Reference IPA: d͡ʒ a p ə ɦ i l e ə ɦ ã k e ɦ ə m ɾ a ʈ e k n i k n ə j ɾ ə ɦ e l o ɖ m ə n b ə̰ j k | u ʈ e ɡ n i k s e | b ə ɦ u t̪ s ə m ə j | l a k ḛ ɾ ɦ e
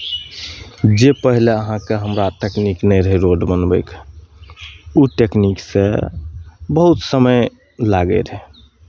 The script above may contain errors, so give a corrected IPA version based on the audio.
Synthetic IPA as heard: d͡ʒ e p ə ɦ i l e ə ɦ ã k e ɦ ə m ɾ a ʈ e k n i k n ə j ɾ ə ɦ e ɾ o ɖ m ə n b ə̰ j k | u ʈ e k n i k s e | b ə ɦ u t̪ s ə m ə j | l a ɡ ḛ ɾ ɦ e